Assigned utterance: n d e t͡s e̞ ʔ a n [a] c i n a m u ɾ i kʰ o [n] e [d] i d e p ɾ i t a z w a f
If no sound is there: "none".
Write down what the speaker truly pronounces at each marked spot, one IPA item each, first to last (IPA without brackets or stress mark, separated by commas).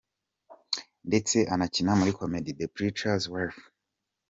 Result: a, m, d